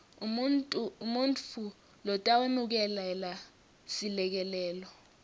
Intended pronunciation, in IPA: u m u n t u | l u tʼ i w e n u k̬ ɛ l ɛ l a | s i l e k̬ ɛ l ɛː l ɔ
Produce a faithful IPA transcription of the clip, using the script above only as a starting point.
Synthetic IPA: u m u n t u | l ɔ tʼ a w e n u k̬ ɛ l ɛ l a | s i l ɛ k̬ ɛ l ɛː l ɔ

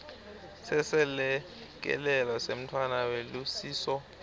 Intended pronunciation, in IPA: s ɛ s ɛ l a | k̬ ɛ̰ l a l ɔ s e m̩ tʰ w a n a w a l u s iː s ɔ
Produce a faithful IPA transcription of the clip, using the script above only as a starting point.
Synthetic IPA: s ɛ s ɛ l ɛ | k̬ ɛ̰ l ɛ l ɔ s e m̩ tʰ w a n a w e l u s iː s ɔ

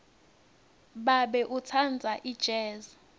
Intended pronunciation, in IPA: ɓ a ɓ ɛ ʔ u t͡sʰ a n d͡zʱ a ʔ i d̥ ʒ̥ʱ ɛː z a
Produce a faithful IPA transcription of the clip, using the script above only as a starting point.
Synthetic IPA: ɓ a ɓ ɛ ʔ u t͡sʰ a n d͡zʱ a ʔ i d̥ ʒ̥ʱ ɛː z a

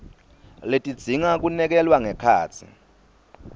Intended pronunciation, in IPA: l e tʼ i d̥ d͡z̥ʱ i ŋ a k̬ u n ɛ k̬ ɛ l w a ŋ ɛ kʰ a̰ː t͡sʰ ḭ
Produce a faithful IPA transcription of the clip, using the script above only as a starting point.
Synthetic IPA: l e tʼ i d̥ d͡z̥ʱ i ŋ a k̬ u n ɛ k̬ ɛ l w a ŋ ɛ kʰ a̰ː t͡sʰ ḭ

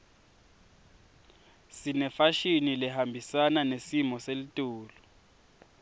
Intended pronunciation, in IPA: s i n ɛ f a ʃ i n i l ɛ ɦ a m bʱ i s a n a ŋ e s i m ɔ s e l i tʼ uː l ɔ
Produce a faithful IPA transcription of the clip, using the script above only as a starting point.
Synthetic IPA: s i n ɛ f a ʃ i n i l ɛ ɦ a m bʱ i s a n a n e s i m ɔ s e l i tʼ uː l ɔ

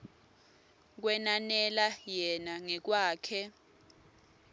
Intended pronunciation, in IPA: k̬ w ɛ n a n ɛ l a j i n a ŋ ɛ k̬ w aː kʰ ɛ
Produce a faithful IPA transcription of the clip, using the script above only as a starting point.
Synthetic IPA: k̬ w ɛ n a n ɛ l a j ɛ n a ŋ ɛ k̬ w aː kʰ ɛ

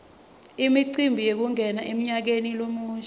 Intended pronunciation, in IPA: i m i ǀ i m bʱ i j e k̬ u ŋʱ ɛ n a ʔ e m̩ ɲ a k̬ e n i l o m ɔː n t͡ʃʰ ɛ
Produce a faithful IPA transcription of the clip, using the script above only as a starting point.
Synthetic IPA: i m i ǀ i m bʱ i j e k̬ u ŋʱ ɛ n a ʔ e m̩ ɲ a k̬ e n i l o m uː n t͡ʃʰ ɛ

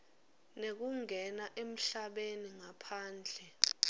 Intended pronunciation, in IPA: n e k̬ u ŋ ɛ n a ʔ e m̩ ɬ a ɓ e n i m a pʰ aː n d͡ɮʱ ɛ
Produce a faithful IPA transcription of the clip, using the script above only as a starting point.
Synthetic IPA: n e k̬ u ŋ ɛ n a ʔ e m̩ ɬ a ɓ e n i ŋ a pʰ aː n d͡ɮʱ ɛ

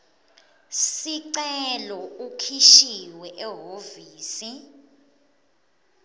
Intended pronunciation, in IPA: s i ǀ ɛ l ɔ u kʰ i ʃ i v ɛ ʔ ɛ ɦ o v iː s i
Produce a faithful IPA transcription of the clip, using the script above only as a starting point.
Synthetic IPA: s i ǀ ɛ l ɔ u kʰ i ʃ i w ɛ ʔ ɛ ɦ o v iː s i

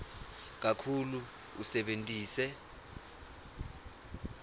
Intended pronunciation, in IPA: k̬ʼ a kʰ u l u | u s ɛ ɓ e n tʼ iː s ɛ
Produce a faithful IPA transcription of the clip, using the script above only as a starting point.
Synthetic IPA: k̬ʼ a kʰ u l u | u s ɛ ɓ e n tʼ iː s ɛ

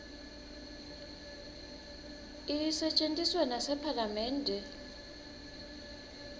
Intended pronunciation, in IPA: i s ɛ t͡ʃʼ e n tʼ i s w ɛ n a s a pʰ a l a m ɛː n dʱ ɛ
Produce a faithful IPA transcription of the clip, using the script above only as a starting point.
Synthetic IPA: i s ɛ t͡ʃʼ e n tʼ i s w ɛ n a s ɛ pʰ a l a m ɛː n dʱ ɛ

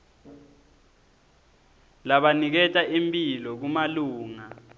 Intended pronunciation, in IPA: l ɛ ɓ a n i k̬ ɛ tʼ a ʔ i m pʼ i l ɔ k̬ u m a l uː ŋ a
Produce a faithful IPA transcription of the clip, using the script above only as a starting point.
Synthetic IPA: l a ɓ a n i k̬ ɛ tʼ a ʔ i m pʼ i l ɔ k̬ u m a l uː ŋ a

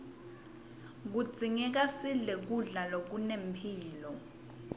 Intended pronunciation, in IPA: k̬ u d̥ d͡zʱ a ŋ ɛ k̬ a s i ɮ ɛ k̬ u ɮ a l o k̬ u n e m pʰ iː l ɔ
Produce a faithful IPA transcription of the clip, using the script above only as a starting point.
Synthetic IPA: k̬ u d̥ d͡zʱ i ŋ ɛ k̬ a s i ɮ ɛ k̬ u ɮ a l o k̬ u n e m pʰ iː l ɔ

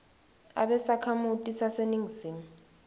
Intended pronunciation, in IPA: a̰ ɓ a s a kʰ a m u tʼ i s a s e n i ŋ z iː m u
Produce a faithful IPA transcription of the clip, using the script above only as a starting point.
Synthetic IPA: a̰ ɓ ɛ s a kʰ a m u tʼ i s a s e n i ŋ z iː m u

